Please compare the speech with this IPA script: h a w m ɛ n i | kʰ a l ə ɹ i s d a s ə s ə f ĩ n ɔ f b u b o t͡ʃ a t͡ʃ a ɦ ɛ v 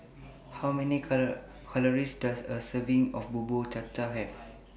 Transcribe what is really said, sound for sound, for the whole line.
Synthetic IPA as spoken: h a w m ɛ n i | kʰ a l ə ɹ i s d a s ə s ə v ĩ ŋ ɔ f b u b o t͡ʃ a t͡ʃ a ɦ ɛ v